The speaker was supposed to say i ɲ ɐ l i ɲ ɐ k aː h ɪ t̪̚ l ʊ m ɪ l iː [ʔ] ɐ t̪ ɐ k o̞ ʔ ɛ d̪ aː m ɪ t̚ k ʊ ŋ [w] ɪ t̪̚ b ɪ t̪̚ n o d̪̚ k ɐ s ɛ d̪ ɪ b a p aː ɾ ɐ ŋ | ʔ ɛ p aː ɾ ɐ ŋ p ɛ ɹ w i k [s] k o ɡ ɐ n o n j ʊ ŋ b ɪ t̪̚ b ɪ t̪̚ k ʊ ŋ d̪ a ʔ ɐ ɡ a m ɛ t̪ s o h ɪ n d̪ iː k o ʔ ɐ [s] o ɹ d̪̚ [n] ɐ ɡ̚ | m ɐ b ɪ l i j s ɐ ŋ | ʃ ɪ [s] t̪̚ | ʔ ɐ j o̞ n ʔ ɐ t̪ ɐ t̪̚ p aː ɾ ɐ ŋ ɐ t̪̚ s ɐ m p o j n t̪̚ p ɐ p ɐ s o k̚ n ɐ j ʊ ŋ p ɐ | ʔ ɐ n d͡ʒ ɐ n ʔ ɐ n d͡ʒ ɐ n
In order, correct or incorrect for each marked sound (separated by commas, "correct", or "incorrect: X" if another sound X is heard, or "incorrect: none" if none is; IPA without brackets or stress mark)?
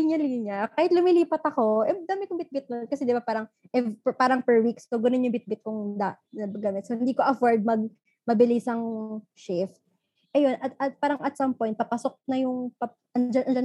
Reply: incorrect: p, incorrect: b, correct, incorrect: f, incorrect: m, incorrect: f